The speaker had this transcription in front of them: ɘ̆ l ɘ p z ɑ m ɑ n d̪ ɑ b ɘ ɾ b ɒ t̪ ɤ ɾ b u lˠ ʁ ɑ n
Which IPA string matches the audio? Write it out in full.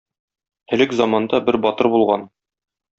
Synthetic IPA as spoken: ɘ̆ l ɘ k z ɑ m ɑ n d̪ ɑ b ɘ ɾ b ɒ t̪ ɤ ɾ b u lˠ ʁ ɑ n